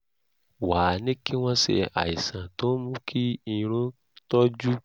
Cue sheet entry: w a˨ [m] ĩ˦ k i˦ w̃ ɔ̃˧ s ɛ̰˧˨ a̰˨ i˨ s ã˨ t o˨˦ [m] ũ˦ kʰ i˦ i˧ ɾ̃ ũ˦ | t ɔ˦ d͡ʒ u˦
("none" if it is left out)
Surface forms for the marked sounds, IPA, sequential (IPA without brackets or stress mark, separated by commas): n, m